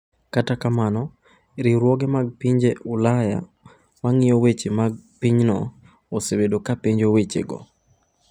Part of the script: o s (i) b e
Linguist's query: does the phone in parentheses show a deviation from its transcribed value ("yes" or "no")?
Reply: yes